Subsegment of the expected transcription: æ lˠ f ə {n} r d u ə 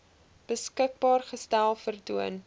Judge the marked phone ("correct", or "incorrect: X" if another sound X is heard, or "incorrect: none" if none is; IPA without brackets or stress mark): incorrect: none